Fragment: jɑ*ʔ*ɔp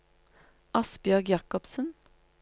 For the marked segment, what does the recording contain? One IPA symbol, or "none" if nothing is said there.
k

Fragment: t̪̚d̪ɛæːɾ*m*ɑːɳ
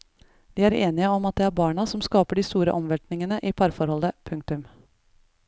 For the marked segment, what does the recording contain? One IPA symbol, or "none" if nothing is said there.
b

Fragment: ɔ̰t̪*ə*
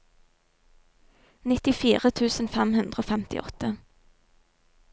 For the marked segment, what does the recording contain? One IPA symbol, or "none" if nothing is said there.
ə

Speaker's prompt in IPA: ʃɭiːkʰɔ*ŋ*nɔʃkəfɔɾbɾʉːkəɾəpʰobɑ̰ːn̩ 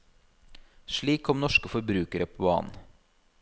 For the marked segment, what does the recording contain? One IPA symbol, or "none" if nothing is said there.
m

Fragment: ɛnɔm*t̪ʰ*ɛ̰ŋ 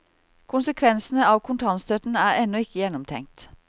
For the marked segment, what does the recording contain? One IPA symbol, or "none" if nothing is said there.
t̪ʰ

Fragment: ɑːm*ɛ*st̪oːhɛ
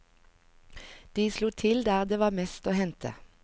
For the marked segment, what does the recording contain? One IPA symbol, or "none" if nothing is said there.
ɛ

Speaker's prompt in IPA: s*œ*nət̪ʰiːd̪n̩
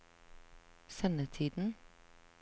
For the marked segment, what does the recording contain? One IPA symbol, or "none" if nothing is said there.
ɛ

